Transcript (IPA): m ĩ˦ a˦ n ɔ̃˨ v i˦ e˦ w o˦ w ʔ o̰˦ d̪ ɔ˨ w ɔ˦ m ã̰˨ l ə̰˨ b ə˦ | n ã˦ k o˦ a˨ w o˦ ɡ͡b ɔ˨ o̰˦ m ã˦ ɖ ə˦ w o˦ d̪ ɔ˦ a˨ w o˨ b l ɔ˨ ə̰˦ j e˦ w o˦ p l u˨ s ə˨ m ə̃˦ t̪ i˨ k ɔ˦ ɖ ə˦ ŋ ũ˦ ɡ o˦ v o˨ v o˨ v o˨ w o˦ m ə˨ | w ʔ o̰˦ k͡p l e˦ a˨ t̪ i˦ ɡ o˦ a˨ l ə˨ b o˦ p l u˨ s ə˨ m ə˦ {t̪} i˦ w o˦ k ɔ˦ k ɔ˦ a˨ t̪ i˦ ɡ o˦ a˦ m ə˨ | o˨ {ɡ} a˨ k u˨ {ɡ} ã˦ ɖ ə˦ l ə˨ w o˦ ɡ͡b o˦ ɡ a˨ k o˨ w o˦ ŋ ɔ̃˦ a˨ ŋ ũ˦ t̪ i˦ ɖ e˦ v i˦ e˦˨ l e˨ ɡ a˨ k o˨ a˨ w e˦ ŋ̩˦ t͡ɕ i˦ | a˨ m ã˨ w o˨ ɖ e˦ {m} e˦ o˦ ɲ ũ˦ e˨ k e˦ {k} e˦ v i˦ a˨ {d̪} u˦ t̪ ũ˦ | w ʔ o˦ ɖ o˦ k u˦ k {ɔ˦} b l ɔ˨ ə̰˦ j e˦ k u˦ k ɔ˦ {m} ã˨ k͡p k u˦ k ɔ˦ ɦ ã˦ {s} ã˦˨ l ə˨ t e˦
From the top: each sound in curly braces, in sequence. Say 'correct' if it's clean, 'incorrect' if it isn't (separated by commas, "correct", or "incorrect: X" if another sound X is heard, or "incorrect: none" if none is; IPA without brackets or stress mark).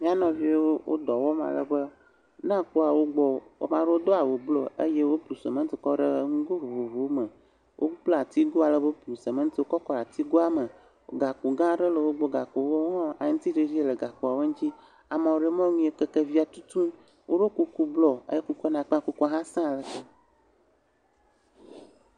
correct, correct, correct, correct, correct, incorrect: t̪, incorrect: u˦, incorrect: n, correct